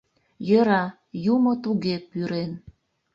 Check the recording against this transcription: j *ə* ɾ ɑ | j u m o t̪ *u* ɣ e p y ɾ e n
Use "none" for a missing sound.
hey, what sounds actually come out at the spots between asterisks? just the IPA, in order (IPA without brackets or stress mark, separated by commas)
ə, u